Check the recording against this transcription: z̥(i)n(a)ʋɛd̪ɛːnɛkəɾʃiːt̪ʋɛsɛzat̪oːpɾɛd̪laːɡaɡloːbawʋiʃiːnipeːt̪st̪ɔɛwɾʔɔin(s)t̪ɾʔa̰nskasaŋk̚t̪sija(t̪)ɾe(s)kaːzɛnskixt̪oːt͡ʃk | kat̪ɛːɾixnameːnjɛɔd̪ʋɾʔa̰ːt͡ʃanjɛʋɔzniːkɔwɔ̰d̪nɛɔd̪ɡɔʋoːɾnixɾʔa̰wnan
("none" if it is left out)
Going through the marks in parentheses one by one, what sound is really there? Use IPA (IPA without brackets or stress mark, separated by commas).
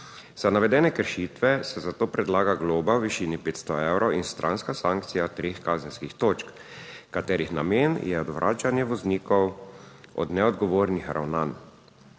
a, a, s, t̪, x